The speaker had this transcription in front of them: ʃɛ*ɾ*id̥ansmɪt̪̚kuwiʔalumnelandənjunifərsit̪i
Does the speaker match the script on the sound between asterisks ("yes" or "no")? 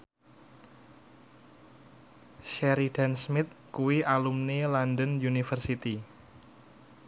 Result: yes